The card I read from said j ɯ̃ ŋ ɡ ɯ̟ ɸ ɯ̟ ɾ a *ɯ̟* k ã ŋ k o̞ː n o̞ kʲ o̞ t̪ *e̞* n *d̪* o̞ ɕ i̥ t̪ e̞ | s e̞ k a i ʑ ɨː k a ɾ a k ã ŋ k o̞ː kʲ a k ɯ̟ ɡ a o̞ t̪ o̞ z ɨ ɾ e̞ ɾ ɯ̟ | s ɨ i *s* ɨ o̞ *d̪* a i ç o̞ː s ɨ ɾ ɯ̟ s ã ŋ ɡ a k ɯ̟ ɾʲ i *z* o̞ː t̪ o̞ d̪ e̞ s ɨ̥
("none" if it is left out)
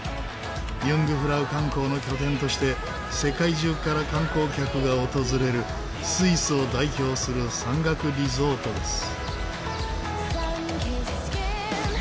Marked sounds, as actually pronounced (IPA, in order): ɯ̟, ẽ̞, t̪, s, d̪, z

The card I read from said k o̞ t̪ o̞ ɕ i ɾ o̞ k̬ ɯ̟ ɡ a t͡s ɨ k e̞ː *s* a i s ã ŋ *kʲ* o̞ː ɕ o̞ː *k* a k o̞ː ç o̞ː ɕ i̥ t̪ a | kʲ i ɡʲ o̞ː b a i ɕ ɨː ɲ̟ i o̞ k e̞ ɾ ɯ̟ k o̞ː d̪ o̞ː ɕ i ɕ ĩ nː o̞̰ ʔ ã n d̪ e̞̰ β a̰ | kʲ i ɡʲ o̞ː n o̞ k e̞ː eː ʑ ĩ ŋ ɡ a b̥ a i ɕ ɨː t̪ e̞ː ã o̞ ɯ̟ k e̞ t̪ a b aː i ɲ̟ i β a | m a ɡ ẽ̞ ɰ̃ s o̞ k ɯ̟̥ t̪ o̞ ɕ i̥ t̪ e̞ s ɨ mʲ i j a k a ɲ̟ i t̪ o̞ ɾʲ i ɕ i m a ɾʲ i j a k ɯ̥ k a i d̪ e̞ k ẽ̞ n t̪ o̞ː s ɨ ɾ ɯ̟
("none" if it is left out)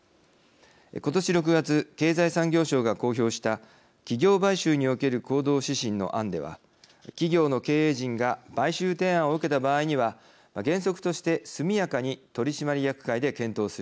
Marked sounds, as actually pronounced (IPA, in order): z, ɡʲ, ɡ

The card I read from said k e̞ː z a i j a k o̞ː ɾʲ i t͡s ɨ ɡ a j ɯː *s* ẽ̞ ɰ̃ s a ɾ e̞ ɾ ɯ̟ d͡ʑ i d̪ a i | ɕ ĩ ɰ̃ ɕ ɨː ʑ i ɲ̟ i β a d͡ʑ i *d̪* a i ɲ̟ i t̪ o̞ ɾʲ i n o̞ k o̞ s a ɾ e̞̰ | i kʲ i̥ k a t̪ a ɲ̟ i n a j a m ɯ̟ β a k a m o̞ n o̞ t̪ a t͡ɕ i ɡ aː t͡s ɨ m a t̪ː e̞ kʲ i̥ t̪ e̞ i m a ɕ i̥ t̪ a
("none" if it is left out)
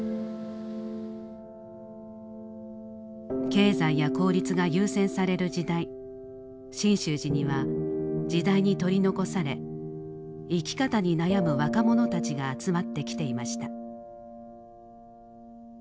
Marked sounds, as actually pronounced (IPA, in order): s, d̪

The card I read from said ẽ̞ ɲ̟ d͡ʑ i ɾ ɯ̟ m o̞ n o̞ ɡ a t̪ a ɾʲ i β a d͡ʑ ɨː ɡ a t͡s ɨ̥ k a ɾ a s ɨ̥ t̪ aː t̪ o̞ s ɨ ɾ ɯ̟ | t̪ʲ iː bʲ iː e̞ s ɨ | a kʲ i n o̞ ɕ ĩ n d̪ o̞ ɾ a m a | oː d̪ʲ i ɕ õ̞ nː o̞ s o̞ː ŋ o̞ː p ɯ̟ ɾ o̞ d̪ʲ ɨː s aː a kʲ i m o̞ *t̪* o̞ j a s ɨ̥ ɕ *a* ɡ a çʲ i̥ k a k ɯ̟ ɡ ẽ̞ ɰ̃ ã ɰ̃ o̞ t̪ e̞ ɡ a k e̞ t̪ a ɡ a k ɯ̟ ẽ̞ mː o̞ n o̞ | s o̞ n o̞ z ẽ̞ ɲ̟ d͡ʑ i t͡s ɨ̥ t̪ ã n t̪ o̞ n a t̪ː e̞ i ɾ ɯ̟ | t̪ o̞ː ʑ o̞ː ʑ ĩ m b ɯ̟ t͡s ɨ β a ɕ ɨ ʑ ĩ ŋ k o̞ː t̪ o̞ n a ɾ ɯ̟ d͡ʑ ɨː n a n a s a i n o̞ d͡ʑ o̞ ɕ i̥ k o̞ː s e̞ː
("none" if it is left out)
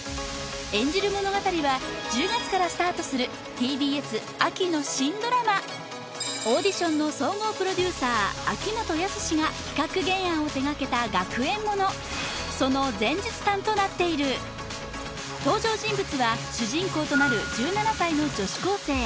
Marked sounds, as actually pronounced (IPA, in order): t̪, i

